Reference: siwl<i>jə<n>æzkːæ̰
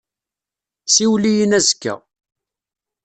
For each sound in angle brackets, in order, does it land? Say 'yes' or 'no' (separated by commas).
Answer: yes, yes